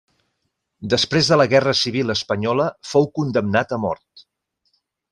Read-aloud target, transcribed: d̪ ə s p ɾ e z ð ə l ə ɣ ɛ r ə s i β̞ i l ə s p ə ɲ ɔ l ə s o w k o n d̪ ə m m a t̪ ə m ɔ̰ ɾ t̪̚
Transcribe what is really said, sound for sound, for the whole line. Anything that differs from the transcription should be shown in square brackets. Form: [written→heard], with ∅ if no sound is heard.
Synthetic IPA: d̪ ə s p ɾ e z ð ə l ə ɣ ɛ r ə s i β̞ i l ə s p ə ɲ ɔ l ə [s→f] o w k [o→u] n d̪ ə m [m→n] a t̪ ə m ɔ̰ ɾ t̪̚